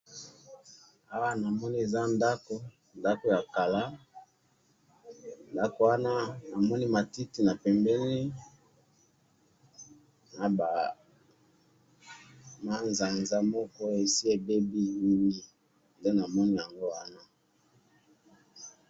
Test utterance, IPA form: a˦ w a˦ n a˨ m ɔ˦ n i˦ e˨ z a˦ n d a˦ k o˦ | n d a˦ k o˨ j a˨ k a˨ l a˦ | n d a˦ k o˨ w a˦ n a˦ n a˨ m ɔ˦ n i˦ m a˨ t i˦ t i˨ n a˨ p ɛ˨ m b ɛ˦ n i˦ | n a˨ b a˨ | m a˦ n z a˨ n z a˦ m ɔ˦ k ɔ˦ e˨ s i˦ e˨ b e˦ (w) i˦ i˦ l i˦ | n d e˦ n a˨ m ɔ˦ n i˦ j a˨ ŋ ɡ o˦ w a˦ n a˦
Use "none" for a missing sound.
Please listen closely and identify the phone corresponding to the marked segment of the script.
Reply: b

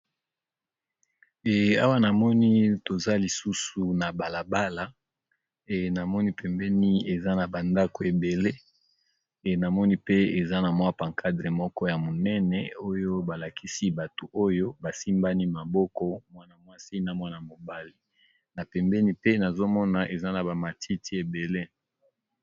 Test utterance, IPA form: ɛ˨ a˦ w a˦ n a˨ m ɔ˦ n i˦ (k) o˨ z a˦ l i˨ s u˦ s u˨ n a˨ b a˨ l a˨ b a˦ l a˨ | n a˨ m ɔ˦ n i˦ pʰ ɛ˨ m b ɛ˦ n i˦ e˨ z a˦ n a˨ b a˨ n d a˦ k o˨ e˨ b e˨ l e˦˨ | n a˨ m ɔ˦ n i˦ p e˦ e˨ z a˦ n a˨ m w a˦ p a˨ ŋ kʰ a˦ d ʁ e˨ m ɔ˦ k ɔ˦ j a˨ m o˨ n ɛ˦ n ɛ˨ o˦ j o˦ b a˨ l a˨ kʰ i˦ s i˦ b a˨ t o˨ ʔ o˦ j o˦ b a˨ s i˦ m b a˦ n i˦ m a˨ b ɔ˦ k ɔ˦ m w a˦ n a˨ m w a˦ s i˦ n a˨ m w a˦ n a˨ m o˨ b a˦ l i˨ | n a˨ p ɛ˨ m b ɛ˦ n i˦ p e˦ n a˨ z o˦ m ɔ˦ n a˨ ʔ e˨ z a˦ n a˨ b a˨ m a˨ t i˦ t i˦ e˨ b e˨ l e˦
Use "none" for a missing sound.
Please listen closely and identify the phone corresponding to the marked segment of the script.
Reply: t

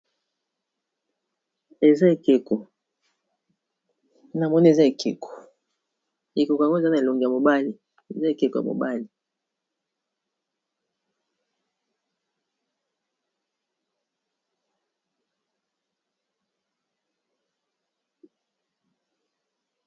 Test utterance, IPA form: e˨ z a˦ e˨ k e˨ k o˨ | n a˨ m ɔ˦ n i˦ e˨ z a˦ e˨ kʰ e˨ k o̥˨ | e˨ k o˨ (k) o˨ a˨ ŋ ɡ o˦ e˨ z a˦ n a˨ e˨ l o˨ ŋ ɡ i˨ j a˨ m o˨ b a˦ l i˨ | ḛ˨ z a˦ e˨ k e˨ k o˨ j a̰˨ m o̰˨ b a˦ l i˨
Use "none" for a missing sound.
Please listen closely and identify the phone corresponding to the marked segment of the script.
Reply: k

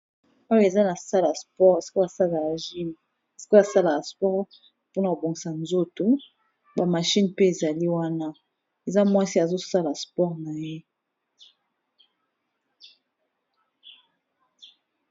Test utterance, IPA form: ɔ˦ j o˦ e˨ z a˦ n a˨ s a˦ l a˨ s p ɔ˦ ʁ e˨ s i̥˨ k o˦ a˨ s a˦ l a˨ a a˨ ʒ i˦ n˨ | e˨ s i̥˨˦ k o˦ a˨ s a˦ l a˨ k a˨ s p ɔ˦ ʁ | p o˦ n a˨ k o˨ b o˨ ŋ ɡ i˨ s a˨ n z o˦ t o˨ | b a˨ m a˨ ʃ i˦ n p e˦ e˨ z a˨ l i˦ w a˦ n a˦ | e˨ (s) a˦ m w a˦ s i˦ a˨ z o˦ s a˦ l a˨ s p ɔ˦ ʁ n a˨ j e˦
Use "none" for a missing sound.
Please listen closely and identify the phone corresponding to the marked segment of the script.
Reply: z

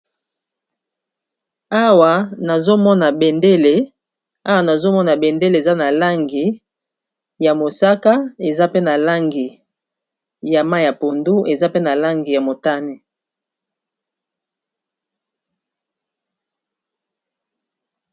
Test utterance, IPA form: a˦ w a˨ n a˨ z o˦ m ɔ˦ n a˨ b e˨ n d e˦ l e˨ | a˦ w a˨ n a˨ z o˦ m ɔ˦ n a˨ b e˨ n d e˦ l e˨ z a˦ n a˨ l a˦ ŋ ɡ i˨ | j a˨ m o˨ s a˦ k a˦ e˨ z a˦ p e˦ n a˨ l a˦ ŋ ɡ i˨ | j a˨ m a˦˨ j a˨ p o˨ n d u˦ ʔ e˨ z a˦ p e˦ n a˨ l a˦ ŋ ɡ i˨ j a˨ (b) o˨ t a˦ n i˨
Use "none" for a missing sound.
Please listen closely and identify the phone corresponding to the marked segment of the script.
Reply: m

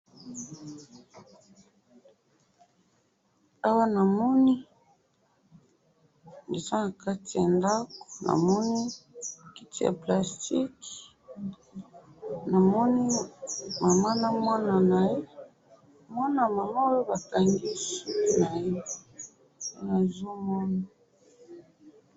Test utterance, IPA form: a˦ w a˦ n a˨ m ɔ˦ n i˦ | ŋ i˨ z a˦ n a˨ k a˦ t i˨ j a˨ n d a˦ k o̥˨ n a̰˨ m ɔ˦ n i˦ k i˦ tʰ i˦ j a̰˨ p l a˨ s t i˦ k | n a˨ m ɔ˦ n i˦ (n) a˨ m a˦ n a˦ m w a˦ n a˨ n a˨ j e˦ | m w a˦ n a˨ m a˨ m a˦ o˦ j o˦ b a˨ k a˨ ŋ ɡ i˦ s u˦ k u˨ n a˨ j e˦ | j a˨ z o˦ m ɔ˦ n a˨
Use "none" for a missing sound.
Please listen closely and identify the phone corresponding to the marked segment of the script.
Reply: m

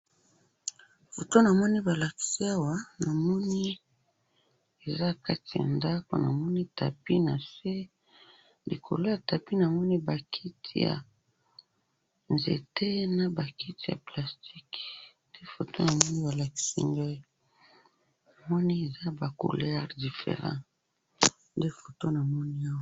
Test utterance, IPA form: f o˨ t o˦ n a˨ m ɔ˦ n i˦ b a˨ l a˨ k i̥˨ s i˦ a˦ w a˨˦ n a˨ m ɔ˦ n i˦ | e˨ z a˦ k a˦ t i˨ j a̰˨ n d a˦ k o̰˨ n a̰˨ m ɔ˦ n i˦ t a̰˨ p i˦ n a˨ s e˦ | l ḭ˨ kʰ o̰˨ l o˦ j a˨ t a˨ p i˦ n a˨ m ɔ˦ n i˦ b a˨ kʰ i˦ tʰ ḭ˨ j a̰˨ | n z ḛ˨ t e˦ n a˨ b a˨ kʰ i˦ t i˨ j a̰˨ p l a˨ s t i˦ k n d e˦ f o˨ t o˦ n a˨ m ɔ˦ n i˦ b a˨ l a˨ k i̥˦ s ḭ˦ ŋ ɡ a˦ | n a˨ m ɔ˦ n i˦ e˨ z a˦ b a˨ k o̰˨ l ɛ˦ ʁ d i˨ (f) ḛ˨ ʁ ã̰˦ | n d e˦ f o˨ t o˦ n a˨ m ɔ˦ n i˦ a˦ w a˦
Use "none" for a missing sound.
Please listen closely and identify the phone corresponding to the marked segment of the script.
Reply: f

